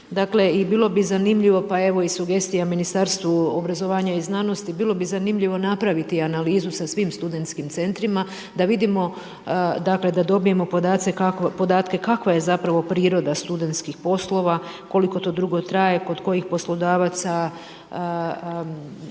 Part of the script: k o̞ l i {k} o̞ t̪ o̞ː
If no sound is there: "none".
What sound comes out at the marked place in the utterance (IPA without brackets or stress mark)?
k